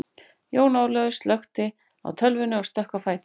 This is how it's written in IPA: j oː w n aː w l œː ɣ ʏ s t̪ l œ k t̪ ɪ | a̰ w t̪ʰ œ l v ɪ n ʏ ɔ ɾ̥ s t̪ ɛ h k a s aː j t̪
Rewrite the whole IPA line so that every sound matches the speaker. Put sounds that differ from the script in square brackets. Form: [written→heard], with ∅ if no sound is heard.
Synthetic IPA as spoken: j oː w n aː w l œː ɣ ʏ s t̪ l œ [k→x] t̪ ɪ | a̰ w t̪ʰ œ l v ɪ n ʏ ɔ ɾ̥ s t̪ [ɛ→œ] h k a [s→f] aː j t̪